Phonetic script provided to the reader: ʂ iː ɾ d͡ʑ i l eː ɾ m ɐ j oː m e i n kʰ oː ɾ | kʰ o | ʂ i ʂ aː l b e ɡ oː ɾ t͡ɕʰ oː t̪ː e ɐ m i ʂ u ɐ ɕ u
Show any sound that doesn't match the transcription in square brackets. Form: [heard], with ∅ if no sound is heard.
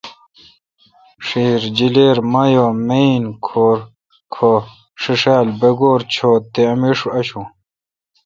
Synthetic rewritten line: ʂ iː ɾ d͡ʑ i l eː ɾ m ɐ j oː m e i n kʰ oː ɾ | kʰ o | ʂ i ʂ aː l b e ɡ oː ɾ t͡ɕʰ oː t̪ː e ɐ m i ʂ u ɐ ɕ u